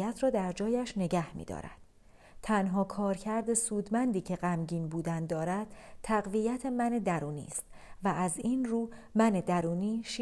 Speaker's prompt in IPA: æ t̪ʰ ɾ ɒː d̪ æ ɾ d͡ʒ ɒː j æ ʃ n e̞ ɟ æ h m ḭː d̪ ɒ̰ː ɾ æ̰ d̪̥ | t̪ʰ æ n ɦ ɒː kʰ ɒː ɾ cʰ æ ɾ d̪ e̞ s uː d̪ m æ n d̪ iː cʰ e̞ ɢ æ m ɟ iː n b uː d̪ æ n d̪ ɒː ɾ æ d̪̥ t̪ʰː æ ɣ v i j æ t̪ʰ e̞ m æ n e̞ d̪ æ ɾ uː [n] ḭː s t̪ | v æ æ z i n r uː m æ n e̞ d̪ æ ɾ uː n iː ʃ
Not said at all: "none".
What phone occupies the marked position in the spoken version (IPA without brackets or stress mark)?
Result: n